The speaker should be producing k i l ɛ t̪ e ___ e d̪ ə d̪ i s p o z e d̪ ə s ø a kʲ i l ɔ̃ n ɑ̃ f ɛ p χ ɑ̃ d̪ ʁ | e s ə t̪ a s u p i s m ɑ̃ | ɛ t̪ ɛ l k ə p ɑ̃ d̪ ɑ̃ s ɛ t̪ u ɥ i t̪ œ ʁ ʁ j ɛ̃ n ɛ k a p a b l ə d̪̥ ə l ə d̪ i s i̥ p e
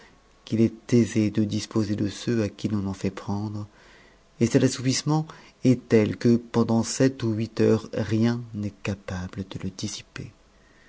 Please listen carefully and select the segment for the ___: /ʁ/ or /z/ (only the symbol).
z